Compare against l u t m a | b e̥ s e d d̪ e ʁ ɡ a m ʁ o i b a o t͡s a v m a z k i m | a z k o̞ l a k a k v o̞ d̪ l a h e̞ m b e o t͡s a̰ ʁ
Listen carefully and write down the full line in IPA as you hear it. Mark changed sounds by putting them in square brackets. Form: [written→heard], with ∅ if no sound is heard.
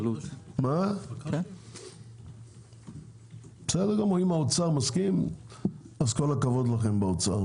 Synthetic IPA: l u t m a | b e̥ s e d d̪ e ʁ ɡ a m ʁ o i [b→m] a o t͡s a [v→ʁ] m a [z→s] k i m | a z k o̞ l a k a [k→∅] v o̞ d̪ l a [h→χ] e̞ m b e o t͡s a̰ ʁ